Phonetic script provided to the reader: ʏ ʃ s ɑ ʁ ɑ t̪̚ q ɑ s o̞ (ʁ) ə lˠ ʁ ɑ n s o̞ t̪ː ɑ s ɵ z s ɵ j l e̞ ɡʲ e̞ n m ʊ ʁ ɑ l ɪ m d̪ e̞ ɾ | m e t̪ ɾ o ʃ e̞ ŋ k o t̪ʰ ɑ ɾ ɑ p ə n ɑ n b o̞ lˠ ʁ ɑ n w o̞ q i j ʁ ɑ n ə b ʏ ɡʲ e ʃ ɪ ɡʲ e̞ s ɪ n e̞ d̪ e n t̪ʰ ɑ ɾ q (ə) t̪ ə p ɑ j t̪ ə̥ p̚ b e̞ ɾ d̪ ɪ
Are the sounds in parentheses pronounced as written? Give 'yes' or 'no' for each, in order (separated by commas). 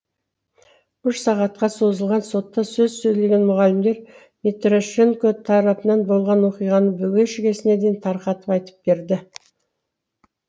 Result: no, no